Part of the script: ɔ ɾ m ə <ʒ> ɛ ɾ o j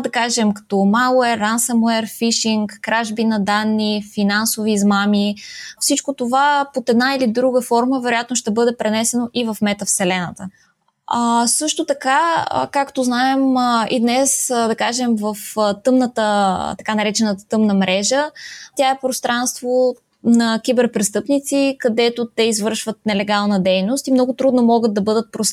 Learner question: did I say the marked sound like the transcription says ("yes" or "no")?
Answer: no